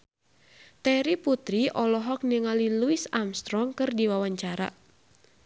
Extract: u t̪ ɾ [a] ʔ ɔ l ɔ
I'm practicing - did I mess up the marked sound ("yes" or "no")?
yes